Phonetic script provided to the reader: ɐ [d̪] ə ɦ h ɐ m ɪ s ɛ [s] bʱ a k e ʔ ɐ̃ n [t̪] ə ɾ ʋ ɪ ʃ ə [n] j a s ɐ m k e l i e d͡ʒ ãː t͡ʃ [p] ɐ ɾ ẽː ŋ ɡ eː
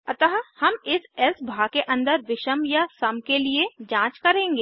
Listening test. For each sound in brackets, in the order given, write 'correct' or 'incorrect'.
incorrect, correct, incorrect, incorrect, incorrect

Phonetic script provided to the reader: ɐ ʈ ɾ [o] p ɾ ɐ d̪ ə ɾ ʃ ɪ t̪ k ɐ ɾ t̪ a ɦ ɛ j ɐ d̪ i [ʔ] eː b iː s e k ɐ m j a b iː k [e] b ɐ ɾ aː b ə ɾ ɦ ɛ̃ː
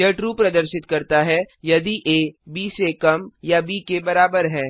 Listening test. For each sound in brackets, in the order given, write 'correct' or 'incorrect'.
incorrect, correct, correct

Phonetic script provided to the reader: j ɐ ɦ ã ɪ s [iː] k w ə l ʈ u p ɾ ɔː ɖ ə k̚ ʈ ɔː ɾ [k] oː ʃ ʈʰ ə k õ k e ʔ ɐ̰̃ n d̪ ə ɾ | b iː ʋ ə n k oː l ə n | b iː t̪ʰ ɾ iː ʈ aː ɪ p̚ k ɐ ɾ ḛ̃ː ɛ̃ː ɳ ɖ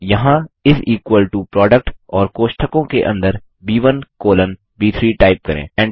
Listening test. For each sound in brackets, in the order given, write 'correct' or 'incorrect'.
correct, correct

